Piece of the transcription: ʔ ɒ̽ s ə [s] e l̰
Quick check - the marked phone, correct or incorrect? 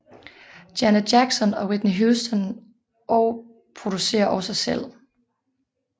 correct